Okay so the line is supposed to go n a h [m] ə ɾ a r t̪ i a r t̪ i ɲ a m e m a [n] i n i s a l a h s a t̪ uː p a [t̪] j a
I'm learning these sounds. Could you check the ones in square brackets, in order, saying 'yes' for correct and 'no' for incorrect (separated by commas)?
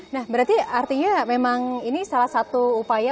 no, no, no